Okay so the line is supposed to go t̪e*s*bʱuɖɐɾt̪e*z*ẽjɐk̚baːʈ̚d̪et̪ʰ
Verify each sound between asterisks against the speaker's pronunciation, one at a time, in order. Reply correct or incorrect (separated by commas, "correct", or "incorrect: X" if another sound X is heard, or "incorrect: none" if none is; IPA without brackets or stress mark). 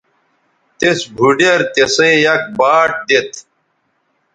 correct, incorrect: s